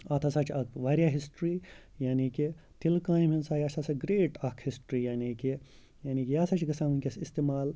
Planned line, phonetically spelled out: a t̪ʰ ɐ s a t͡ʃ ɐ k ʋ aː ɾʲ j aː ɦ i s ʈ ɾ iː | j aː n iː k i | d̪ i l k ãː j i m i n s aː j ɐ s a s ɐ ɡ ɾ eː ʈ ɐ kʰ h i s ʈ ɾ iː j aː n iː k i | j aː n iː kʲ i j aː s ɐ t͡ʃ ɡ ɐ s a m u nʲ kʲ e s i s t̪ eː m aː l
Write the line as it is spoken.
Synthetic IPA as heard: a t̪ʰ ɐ s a t͡ʃ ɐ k ʋ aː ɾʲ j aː ɦ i s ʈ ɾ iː | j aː n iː k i | t̪ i l k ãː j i m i n s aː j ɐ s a s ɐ ɡ ɾ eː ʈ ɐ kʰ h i s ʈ ɾ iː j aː n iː k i | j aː n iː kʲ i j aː s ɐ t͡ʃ ɡ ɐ s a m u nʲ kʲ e s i s t̪ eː m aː l

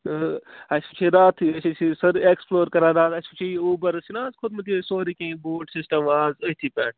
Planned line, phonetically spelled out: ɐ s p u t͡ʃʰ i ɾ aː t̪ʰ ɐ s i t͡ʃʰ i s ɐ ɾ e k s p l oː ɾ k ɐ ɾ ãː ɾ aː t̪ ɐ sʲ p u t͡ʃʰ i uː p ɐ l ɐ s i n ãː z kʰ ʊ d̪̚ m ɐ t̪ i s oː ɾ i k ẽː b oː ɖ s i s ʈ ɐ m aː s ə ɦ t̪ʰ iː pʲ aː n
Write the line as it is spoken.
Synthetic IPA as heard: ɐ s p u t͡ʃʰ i ɾ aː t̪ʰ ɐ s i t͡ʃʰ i s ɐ ɾ e k s p l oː ɾ k ɐ ɾ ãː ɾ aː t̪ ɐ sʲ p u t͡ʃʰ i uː b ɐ ɾ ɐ s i n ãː z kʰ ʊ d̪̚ m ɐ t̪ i s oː ɾ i k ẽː b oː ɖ s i s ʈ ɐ m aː z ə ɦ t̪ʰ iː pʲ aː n

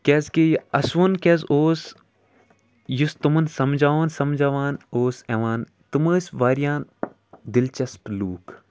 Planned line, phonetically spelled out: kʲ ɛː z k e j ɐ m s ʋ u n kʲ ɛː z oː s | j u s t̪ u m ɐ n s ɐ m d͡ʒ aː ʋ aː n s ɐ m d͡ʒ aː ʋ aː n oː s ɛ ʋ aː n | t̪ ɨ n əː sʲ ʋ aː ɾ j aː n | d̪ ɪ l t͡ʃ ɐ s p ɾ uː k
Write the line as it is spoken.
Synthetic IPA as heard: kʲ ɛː z k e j ɐ s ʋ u n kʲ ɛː z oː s | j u s t̪ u m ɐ n s ɐ m d͡ʒ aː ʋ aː n s ɐ m d͡ʒ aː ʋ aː n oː s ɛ ʋ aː n | t̪ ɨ m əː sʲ ʋ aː ɾ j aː n | d̪ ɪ l t͡ʃ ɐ s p l uː k

